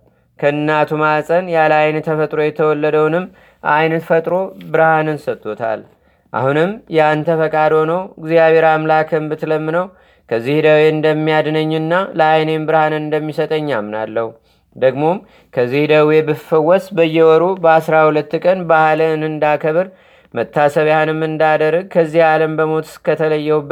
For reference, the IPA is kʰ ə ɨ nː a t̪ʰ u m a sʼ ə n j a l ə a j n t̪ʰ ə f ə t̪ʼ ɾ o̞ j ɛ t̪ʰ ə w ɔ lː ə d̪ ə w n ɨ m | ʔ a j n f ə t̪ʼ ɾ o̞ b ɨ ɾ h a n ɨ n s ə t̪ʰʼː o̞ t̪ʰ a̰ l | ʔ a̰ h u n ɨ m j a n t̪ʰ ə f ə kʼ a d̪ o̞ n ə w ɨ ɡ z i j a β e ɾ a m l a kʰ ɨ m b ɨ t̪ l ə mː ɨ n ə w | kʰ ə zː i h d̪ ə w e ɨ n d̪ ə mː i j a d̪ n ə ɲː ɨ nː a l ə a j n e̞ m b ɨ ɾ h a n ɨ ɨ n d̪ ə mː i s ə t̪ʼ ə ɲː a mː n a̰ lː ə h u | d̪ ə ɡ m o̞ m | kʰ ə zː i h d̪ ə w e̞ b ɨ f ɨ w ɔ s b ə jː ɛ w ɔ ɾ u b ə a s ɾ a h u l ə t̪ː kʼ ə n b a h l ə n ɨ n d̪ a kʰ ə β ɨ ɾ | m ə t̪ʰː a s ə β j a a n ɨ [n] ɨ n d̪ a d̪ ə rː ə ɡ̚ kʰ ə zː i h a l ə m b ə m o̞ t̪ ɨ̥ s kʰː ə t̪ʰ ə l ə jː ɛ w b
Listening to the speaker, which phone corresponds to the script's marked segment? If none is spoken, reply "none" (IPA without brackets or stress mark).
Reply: m